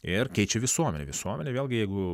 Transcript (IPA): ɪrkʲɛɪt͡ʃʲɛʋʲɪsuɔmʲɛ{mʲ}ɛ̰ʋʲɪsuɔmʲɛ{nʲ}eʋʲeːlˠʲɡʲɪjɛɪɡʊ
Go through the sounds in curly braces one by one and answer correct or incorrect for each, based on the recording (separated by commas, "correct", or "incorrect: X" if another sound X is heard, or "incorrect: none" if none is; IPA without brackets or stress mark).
incorrect: nʲ, correct